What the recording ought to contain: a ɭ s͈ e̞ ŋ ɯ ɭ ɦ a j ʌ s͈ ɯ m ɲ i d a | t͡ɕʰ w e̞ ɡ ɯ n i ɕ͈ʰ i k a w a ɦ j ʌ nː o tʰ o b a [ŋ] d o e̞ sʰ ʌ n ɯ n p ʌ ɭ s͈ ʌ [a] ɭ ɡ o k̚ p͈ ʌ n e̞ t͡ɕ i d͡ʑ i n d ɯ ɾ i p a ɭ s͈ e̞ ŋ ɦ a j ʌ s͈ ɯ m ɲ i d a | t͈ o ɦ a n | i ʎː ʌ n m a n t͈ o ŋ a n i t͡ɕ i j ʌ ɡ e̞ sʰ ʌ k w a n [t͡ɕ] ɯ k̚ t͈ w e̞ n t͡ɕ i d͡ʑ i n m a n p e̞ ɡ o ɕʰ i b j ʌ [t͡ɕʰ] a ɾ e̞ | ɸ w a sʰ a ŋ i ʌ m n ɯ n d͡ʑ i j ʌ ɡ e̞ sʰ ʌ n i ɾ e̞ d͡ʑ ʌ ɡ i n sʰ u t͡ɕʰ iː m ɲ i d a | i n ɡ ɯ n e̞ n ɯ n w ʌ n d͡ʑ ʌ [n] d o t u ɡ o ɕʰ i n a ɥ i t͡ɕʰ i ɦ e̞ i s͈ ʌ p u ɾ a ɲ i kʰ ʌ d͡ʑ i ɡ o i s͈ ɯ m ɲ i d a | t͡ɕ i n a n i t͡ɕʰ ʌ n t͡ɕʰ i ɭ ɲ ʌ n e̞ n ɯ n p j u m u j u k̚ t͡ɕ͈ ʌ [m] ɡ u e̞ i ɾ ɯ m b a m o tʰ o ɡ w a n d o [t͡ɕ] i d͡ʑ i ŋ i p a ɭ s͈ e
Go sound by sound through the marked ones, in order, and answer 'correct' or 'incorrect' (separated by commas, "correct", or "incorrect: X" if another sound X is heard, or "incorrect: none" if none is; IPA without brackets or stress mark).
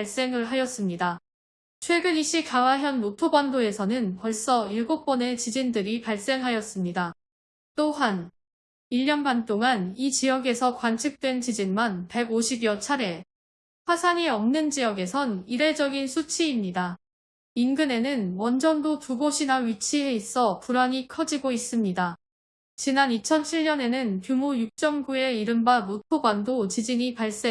incorrect: n, incorrect: i, incorrect: t͡ɕʰ, correct, correct, incorrect: ŋ, correct